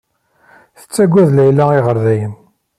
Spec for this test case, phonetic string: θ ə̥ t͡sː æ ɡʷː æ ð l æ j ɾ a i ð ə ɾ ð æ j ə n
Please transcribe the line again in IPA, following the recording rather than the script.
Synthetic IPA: θ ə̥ t͡sː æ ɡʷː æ ð l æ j l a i ʁ ə ɾ ð æ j ə n